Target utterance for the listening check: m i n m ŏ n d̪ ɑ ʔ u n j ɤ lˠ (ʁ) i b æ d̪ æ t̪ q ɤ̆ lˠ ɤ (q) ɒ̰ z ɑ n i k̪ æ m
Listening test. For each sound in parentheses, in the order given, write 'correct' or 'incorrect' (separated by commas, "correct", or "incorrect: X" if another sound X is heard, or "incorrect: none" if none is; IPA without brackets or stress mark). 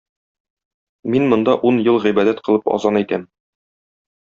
correct, incorrect: p